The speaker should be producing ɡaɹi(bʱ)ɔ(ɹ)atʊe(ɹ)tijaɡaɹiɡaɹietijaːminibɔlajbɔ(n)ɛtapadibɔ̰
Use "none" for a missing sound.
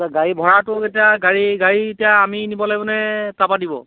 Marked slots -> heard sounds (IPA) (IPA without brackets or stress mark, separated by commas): bʱ, ɹ, none, n